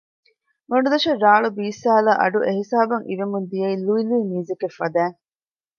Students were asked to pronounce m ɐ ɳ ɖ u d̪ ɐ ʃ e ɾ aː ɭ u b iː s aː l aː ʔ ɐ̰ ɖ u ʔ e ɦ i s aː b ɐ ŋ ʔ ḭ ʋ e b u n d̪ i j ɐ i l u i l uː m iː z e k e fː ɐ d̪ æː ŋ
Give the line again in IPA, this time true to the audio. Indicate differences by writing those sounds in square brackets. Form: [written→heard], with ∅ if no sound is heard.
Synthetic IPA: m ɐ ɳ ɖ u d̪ ɐ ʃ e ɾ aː ɭ u b iː s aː l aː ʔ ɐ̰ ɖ u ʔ e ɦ i s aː b ɐ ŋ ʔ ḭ ʋ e [b→m] u n d̪ i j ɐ i l u i l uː m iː z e k e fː ɐ d̪ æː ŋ